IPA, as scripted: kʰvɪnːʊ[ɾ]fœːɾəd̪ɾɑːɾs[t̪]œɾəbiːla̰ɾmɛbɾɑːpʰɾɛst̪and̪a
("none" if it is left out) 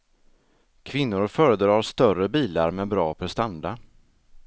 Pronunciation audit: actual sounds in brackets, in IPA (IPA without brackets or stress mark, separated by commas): ɾ, t̪